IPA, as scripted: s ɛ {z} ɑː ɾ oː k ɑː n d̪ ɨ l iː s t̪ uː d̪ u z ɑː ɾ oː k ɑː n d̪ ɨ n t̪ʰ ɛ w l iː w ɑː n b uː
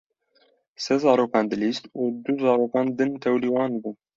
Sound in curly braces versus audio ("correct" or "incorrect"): correct